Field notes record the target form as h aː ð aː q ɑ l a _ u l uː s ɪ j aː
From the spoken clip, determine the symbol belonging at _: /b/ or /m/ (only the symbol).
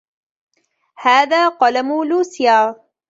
m